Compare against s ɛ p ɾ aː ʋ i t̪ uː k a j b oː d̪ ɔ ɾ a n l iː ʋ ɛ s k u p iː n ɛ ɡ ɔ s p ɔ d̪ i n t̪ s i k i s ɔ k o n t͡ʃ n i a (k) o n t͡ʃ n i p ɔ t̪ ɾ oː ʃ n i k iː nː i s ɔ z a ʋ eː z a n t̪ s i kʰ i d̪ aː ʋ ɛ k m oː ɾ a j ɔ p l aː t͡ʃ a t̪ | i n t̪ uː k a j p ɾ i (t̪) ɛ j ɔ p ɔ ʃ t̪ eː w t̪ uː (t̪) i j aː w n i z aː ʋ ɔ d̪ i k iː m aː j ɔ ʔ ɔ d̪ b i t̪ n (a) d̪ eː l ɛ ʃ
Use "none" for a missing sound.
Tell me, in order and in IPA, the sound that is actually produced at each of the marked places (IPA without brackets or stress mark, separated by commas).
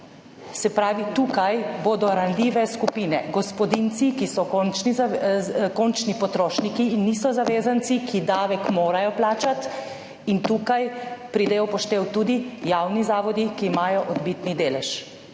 k, d̪, d̪, i